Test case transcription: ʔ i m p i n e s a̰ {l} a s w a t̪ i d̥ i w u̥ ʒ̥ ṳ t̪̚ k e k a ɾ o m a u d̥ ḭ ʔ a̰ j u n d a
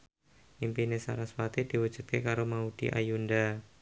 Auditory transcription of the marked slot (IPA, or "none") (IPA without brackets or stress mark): ɾ